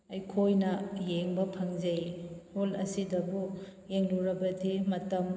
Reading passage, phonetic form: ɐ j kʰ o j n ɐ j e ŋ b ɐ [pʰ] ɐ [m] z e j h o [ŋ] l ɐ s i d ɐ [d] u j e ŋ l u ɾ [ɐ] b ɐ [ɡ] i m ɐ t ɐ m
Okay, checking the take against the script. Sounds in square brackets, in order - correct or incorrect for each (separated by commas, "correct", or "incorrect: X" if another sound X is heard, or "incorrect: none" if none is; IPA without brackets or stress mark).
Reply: correct, incorrect: ŋ, incorrect: none, incorrect: b, correct, incorrect: d